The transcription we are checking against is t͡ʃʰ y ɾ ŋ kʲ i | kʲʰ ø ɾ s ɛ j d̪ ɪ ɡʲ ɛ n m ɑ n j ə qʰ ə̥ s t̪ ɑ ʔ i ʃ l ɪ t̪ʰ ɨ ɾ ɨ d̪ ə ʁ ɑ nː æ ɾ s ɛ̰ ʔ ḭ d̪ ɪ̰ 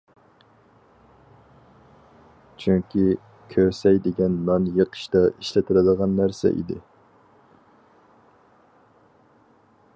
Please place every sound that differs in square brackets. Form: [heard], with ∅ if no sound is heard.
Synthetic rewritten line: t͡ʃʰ y [∅] ŋ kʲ i | kʲʰ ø ɾ s ɛ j d̪ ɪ ɡʲ ɛ n m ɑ n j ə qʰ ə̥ [ʃ] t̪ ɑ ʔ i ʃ l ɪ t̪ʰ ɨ ɾ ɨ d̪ ə ʁ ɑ nː æ ɾ s ɛ̰ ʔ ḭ d̪ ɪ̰